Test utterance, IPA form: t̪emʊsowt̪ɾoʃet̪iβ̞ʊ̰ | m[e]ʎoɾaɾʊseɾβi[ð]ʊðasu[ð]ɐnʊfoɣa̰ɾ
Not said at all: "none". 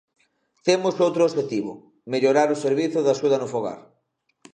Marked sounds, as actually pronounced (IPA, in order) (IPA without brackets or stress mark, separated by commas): e, θ, ð